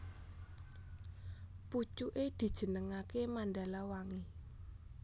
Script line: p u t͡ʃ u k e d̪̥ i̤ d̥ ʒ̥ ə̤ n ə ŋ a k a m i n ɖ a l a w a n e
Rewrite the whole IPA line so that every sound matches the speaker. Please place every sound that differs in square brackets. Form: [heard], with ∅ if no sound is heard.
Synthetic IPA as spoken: p u t͡ʃ u [ʔ] e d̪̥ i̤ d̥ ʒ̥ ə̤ n ə ŋ a k [e] m [a] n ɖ a l a w a [ŋ] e